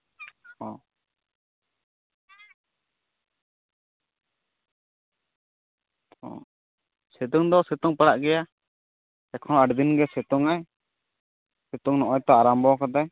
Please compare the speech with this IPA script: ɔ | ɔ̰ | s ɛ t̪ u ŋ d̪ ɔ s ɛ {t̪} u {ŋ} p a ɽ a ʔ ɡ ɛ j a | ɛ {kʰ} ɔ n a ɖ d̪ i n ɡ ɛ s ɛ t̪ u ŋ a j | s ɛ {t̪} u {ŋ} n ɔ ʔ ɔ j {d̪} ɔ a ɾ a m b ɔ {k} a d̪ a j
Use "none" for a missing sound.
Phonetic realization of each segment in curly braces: t̪, ŋ, kʰ, t̪, ŋ, t̪, k

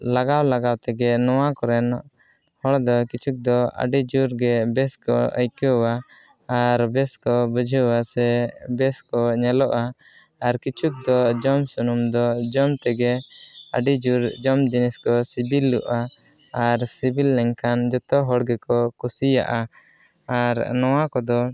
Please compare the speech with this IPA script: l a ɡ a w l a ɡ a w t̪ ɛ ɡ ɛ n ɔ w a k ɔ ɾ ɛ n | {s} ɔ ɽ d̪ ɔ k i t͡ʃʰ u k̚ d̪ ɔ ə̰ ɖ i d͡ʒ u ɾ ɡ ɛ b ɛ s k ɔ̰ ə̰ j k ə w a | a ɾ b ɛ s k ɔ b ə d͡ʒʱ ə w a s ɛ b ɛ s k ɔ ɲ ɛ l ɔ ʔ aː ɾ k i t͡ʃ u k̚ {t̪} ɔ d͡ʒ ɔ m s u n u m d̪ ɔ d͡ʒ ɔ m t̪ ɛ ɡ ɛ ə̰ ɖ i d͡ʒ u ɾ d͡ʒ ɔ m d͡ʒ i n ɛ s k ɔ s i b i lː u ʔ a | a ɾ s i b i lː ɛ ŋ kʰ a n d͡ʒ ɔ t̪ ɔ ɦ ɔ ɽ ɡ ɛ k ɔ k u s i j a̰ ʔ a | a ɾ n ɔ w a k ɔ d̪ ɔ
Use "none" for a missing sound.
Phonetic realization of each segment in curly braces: h, d̪

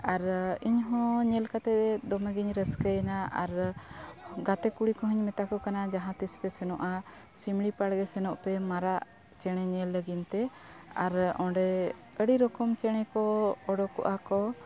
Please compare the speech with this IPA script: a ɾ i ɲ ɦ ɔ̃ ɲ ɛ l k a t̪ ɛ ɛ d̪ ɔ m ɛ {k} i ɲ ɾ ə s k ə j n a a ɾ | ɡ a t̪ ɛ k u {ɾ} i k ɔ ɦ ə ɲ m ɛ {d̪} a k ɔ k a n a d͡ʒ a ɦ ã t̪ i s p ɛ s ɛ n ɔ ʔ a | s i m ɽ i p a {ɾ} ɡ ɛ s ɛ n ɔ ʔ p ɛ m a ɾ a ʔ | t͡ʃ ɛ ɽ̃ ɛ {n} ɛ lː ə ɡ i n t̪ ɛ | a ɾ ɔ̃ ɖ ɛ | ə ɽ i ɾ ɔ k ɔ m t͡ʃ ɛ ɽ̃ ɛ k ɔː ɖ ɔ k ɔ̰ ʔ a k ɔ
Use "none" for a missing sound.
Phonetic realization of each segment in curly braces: ɡ, ɽ, t̪, ɽ, ɲ

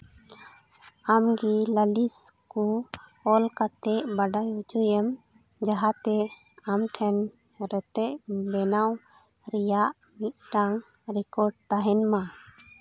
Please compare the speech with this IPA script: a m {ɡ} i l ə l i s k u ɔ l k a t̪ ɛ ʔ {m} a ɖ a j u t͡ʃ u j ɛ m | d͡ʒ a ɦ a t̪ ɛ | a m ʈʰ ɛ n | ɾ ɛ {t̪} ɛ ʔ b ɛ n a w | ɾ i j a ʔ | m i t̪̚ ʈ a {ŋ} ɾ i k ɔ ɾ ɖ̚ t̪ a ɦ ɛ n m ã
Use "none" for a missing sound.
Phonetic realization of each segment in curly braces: ɡ, b, t̪, ŋ

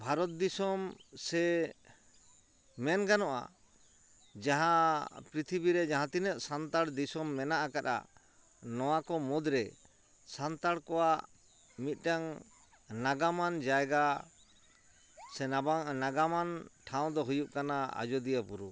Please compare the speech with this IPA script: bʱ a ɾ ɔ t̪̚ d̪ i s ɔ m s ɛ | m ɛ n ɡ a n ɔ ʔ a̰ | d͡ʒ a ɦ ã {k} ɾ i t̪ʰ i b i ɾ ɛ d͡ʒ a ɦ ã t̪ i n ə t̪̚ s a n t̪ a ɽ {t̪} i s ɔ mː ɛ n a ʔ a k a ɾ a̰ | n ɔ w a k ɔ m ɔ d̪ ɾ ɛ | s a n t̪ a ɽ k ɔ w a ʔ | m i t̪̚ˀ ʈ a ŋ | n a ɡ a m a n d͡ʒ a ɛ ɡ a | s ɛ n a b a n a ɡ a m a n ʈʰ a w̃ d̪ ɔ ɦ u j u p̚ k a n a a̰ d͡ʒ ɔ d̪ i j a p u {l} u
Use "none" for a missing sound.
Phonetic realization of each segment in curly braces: p, d̪, ɾ

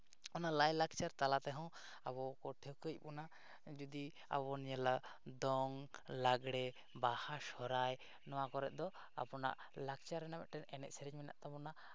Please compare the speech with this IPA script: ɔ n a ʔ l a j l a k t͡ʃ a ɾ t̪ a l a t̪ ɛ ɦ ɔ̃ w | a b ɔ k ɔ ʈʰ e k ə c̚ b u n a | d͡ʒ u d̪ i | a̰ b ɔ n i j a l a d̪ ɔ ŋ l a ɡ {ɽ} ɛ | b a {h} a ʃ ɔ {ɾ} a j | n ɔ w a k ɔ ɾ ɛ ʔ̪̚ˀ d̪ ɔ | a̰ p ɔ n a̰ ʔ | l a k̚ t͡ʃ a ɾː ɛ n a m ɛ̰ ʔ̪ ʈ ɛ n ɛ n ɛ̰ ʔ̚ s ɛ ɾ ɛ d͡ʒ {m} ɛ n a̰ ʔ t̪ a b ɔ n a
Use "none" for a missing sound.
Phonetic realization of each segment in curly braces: ɽ, h, ɾ, m

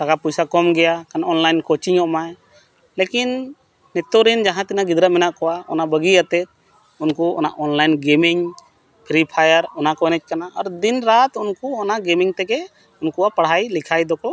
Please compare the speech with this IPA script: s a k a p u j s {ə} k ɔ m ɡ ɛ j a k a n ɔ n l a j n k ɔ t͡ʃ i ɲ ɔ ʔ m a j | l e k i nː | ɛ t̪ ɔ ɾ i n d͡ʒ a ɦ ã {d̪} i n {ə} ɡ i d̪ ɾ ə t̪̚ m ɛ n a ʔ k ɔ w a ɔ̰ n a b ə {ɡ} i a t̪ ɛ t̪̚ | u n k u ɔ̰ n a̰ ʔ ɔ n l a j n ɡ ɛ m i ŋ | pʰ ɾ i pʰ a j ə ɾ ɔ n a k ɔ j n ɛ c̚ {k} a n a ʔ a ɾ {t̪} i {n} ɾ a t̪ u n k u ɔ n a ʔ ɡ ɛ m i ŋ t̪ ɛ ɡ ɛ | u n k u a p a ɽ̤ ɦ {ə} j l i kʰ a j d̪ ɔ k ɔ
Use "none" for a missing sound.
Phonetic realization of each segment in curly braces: a, t̪, a, ɡ, k, d̪, n, a

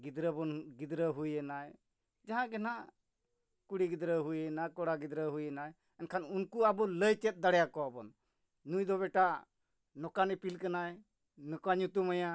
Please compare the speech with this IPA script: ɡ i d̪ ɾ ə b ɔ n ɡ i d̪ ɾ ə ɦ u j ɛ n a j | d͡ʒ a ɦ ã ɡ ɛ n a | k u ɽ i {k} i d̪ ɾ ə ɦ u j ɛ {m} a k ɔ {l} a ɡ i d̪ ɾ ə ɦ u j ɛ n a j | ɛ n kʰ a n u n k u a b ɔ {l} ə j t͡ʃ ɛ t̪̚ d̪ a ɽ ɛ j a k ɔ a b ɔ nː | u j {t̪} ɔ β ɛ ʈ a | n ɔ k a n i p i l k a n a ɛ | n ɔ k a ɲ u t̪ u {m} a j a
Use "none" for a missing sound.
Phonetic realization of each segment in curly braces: ɡ, n, ɽ, l, d̪, m

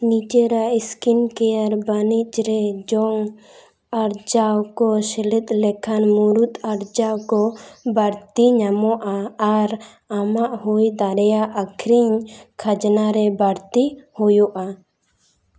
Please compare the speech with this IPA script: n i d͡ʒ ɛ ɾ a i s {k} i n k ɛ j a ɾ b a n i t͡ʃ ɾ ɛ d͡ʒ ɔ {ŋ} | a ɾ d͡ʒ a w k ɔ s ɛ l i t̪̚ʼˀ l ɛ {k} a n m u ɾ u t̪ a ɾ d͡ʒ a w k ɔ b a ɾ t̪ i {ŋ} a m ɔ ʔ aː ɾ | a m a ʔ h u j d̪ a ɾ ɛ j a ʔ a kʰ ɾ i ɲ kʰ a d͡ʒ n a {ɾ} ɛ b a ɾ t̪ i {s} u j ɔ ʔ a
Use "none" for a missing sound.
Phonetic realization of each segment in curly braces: k, ŋ, kʰ, ɲ, ɾ, h

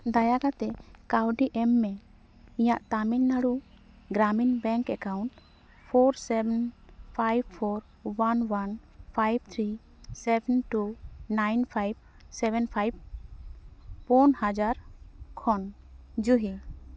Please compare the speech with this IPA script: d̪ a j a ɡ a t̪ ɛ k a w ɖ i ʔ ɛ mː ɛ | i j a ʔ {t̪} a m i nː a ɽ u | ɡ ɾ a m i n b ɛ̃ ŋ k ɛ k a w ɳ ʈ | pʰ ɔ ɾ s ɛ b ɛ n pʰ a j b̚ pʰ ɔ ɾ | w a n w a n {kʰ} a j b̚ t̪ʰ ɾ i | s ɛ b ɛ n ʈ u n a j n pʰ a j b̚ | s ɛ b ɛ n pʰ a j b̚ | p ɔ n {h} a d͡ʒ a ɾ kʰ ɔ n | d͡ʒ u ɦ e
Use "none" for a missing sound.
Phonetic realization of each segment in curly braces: t̪, pʰ, h

